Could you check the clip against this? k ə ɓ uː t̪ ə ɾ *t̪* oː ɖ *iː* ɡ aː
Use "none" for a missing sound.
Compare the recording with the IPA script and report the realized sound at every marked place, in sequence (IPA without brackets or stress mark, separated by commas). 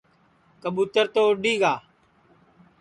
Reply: t̪, iː